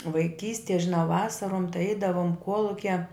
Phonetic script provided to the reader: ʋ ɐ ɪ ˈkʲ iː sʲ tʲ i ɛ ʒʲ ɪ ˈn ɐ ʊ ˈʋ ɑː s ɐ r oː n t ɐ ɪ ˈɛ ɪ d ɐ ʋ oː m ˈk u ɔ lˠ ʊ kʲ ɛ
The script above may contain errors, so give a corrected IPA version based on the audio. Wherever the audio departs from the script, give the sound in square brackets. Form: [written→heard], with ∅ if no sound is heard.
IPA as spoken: ʋ ɐ ɪ ˈkʲ iː sʲ tʲ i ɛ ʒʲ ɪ ˈn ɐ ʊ ˈʋ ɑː s ɐ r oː [n→m] t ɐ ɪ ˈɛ ɪ d ɐ ʋ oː m ˈk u ɔ lˠ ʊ kʲ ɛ

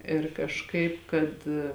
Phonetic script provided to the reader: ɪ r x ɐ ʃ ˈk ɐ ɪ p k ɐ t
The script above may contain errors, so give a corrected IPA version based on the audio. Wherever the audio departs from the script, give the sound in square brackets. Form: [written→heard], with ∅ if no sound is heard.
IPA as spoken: ɪ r [x→k] ɐ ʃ ˈk ɐ ɪ p k ɐ t

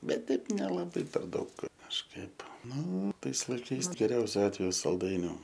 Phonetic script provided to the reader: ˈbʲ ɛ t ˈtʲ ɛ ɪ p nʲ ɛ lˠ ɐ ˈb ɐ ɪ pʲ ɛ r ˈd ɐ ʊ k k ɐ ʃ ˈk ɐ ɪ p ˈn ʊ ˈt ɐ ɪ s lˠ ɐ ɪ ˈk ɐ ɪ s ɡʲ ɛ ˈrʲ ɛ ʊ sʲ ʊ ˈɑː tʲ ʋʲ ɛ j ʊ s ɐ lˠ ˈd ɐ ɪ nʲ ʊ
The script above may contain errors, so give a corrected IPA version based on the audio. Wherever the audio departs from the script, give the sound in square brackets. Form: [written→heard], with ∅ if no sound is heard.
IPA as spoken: ˈbʲ ɛ t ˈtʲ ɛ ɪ p nʲ ɛ lˠ ɐ ˈb ɐ ɪ pʲ ɛ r ˈd ɐ ʊ k k ɐ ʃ ˈk ɐ ɪ p ˈn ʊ ˈt ɐ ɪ s lˠ ɐ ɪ ˈk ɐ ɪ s ɡʲ ɛ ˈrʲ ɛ ʊ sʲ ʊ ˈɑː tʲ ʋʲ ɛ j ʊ s ɐ lˠ ˈd ɐ ɪ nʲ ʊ

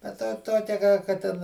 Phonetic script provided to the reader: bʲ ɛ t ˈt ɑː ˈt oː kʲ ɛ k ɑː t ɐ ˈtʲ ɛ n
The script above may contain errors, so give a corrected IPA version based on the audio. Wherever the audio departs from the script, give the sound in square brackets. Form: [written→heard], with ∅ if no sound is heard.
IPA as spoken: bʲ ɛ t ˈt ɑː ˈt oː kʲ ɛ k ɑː [t→k] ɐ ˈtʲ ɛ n

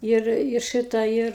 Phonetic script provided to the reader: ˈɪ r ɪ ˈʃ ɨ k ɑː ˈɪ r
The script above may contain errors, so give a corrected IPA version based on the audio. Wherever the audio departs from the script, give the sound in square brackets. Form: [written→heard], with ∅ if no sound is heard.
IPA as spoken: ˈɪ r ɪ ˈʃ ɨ [k→t] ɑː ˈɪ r

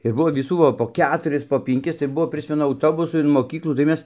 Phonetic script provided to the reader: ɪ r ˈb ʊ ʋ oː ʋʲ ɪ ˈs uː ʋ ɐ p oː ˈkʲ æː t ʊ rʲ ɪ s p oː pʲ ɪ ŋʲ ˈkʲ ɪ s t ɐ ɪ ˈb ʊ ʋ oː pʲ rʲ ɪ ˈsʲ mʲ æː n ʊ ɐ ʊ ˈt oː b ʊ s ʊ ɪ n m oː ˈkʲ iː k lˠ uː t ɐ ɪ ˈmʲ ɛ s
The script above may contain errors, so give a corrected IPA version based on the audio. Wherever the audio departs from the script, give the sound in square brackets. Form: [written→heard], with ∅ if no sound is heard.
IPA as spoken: ɪ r ˈb ʊ ʋ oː ʋʲ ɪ ˈs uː ʋ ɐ p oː ˈkʲ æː t ʊ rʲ ɪ s p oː pʲ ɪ ŋʲ ˈkʲ ɪ s t ɐ ɪ ˈb ʊ ʋ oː pʲ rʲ ɪ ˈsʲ mʲ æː n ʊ ɐ ʊ ˈt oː b ʊ s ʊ ɪ n m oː ˈkʲ iː k lˠ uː t ɐ ɪ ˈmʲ ɛ s

